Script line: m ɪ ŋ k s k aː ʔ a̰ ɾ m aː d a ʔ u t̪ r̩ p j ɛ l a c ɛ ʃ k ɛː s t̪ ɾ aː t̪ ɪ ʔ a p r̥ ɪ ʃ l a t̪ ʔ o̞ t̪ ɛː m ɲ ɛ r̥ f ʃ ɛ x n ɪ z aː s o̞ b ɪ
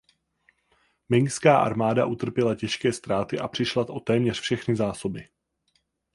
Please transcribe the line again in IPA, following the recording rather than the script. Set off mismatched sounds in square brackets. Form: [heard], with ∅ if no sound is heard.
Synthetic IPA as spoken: m ɪ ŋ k s k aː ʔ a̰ ɾ m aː d a ʔ u t̪ r̩ p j ɛ l a c ɛ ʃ k ɛː s t̪ ɾ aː t̪ ɪ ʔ a p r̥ ɪ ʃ l a t̪ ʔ o̞ t̪ ɛː m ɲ ɛ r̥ f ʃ ɛ x n ɪ z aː s o̞ b ɪ

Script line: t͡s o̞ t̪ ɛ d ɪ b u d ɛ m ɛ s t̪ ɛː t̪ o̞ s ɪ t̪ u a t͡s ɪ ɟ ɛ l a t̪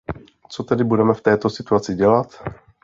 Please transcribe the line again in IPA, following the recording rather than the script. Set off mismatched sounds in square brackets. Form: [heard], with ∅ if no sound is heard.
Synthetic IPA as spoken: t͡s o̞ t̪ ɛ d ɪ b u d ɛ m ɛ [f] t̪ ɛː t̪ o̞ s ɪ t̪ u a t͡s ɪ ɟ ɛ l a t̪

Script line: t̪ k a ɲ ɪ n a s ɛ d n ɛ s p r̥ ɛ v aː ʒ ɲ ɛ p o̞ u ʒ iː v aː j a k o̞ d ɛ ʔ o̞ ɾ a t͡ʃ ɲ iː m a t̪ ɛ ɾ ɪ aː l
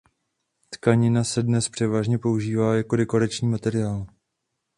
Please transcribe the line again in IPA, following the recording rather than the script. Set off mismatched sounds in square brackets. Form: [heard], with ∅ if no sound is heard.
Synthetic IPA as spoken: t̪ k a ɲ ɪ n a s ɛ d n ɛ s p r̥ ɛ v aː ʒ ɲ ɛ p o̞ u ʒ iː v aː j a k o̞ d ɛ [k] o̞ ɾ a t͡ʃ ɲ iː m a t̪ ɛ ɾ ɪ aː l

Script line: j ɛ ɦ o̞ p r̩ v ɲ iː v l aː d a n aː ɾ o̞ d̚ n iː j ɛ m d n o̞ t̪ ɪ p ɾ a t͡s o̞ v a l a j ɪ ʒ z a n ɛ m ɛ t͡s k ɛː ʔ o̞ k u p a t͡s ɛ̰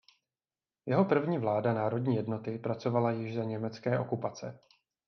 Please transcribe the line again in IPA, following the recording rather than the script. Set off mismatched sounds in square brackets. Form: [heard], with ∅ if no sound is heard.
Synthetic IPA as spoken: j ɛ ɦ o̞ p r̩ v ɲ iː v l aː d a n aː ɾ o̞ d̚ [ɲ] iː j ɛ [∅] d n o̞ t̪ ɪ p ɾ a t͡s o̞ v a l a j ɪ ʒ z a [ɲ] ɛ m ɛ t͡s k ɛː ʔ o̞ k u p a t͡s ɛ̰

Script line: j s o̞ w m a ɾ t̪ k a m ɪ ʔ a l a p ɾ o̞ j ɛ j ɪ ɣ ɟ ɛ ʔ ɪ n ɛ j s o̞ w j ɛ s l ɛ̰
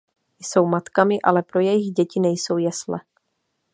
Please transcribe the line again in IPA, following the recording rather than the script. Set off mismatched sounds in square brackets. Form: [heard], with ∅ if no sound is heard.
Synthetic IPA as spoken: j s o̞ w m a [∅] t̪ k a m ɪ ʔ a l [ɛ] p ɾ o̞ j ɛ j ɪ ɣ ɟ ɛ [c] ɪ n ɛ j s o̞ w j ɛ s l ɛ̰

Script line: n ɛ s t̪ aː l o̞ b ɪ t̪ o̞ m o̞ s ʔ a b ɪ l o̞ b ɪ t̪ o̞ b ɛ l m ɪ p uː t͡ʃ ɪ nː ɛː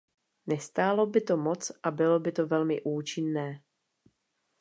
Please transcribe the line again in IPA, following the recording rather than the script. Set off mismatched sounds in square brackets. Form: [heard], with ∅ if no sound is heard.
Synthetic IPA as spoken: n ɛ s t̪ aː l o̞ b ɪ t̪ o̞ m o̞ [t͡s] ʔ a b ɪ l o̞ b ɪ t̪ o̞ [v] ɛ l m ɪ [ʔ] uː t͡ʃ ɪ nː ɛː

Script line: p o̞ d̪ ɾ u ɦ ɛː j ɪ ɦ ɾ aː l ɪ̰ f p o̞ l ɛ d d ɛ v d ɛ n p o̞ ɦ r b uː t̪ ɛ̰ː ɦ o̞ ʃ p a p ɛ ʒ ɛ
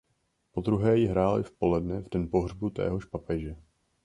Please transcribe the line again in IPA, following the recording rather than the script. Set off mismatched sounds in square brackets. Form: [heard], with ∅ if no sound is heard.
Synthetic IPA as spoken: p o̞ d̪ ɾ u ɦ ɛː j ɪ ɦ ɾ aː l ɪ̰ f p o̞ l ɛ d [n] ɛ v d ɛ n p o̞ ɦ r b [u] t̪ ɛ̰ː ɦ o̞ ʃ p a p ɛ ʒ ɛ

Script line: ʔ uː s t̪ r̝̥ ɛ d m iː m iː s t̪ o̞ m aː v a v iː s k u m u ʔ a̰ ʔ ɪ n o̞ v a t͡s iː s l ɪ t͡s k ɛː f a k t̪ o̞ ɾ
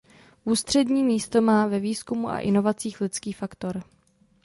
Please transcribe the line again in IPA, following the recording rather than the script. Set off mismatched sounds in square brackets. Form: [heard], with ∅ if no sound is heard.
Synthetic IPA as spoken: ʔ uː s t̪ r̝̥ ɛ d [ɲ] iː m iː s t̪ o̞ m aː v [ɛ] v iː s k u m u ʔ a̰ ʔ ɪ n o̞ v a t͡s iː [x] l ɪ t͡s k [iː] f a k t̪ o̞ ɾ

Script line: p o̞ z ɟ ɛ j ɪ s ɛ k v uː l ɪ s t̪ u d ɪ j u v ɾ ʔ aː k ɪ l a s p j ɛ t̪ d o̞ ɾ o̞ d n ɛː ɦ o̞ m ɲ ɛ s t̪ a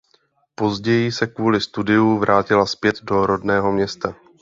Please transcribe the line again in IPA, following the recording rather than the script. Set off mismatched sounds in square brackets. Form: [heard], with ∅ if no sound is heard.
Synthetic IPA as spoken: p o̞ z ɟ ɛ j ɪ s ɛ k v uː l ɪ s t̪ u d ɪ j u v ɾ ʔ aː [c] ɪ l a s p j ɛ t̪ d o̞ ɾ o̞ d n ɛː ɦ o̞ m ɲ ɛ s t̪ a

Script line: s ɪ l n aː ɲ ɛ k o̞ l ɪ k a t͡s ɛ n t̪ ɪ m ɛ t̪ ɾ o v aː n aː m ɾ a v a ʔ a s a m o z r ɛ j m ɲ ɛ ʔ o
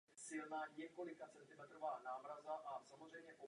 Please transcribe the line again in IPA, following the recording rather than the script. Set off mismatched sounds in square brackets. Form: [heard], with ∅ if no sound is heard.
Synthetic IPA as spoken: s ɪ l n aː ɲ ɛ k o̞ l ɪ k a t͡s ɛ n t̪ ɪ m ɛ t̪ ɾ o v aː n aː m ɾ a [z] a ʔ a s a m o z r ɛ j m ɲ ɛ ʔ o

